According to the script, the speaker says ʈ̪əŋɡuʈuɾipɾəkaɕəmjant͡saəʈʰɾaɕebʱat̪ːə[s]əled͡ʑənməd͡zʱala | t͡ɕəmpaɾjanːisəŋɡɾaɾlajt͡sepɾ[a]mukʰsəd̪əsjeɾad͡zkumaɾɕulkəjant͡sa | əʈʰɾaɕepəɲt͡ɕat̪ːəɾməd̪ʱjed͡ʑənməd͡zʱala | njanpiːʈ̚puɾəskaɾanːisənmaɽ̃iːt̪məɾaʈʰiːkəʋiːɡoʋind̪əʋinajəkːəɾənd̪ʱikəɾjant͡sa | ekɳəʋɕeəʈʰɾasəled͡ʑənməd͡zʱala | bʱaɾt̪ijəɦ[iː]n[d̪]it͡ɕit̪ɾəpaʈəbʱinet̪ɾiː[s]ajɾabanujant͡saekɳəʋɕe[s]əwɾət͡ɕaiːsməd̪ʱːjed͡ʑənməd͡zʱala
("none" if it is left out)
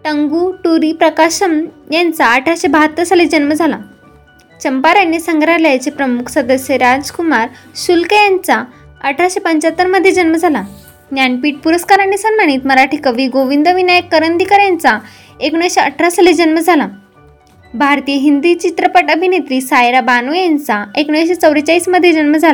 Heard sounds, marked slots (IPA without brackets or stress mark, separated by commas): s, ə, i, d̪, s, t͡s